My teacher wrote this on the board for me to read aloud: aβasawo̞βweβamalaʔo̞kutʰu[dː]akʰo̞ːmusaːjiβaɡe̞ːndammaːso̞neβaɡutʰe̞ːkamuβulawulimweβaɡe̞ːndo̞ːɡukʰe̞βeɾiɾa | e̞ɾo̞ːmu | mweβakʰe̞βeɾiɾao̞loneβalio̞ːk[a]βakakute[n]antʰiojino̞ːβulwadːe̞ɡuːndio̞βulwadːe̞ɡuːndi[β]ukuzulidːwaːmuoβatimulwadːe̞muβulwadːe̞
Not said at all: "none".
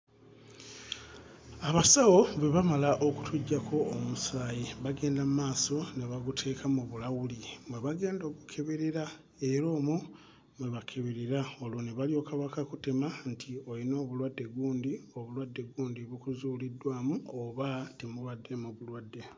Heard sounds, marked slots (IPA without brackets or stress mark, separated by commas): ɟː, a, m, β